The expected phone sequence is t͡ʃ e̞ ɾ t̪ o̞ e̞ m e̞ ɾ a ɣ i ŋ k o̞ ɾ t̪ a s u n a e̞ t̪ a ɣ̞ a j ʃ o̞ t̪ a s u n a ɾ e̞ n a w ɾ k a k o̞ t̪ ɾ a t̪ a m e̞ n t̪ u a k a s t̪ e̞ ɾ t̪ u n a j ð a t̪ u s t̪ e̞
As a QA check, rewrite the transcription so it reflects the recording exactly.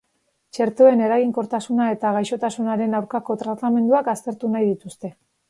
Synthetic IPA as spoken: t͡ʃ e̞ ɾ t̪ o̞ e̞ n e̞ ɾ a ɣ i ŋ k o̞ ɾ t̪ a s u n a e̞ t̪ a ɣ̞ a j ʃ o̞ t̪ a s u n a ɾ e̞ n a w ɾ k a k o̞ t̪ ɾ a t̪ a m e̞ n d̪ u a k a s t̪ e̞ ɾ t̪ u n a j ð i t̪ u s t̪ e̞